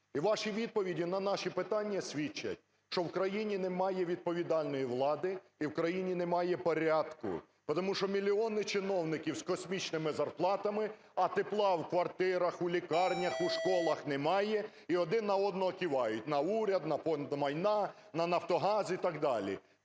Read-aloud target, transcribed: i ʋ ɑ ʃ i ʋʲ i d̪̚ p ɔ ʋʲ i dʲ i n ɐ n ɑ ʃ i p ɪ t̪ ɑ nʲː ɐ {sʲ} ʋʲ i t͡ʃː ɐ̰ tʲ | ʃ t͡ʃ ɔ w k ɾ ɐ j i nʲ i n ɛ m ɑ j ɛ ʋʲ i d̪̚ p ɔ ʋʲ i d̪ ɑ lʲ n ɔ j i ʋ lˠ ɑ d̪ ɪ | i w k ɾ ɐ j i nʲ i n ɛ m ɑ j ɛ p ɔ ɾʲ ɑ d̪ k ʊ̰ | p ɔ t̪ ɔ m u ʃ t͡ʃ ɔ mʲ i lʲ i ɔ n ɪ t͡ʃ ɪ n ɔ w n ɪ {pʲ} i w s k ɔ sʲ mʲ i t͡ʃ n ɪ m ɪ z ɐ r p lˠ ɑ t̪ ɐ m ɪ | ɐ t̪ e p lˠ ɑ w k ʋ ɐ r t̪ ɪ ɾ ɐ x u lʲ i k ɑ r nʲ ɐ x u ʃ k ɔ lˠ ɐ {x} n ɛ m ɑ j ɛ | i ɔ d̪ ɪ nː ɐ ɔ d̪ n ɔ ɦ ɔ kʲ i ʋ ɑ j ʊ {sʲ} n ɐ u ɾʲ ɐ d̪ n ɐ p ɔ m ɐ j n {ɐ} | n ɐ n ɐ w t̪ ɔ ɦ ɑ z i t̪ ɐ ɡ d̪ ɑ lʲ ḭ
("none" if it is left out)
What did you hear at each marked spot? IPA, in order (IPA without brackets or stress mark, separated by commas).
sʲ, kʲ, x, tʲ, ɑ